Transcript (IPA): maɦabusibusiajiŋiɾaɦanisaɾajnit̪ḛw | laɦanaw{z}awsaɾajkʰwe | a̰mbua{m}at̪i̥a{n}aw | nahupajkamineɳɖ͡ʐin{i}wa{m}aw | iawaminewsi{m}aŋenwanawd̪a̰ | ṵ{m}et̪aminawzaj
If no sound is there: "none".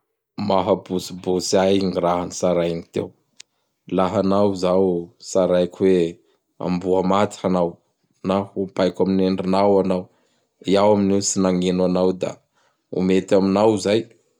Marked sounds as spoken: z, m, n, a, n, n, m

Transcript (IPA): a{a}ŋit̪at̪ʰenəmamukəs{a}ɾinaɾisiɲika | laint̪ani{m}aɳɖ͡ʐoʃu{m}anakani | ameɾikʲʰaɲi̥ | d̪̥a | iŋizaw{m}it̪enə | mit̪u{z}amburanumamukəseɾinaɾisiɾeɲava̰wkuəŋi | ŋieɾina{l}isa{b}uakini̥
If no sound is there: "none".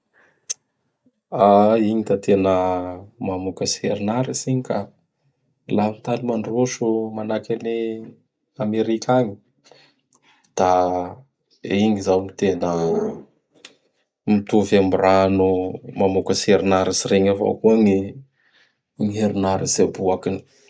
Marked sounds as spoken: i, e, m, m, m, v, ɾ, b

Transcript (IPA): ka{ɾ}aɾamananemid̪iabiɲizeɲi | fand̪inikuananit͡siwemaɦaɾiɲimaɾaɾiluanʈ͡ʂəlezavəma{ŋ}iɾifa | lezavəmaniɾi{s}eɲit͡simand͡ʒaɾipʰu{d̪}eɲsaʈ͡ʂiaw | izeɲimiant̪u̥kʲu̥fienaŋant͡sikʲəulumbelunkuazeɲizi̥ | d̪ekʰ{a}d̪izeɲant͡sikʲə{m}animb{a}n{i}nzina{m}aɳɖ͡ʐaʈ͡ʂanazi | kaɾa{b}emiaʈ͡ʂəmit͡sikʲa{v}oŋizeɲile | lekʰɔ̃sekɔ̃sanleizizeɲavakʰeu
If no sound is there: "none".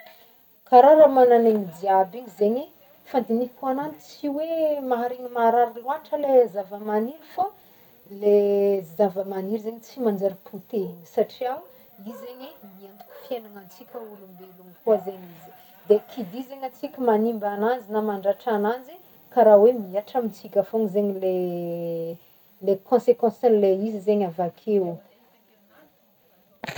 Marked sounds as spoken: ɾ, n, z, t̪, i, m, a, a, m, w, f

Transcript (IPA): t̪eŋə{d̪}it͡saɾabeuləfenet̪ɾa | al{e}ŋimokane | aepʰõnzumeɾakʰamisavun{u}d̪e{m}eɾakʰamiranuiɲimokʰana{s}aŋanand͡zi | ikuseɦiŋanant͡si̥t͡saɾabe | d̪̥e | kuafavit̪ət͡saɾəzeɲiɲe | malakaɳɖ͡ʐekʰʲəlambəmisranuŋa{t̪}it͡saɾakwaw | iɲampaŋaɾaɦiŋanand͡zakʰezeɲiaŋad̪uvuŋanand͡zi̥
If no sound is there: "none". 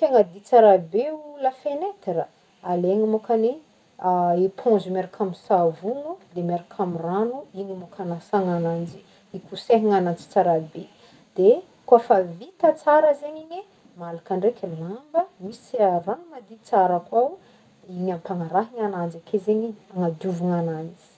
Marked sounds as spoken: d̪, e, u, m, s, d̪

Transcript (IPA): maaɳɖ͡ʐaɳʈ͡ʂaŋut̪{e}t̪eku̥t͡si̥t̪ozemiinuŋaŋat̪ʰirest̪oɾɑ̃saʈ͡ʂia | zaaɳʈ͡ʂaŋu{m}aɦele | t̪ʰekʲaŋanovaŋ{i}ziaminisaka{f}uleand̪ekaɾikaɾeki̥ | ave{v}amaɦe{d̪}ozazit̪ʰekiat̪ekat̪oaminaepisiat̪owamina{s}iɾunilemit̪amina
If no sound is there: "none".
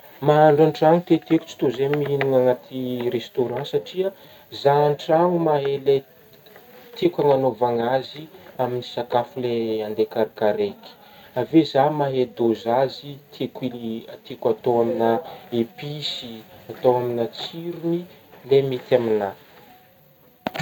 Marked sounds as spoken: e, m, a, f, z, d̪, t͡s

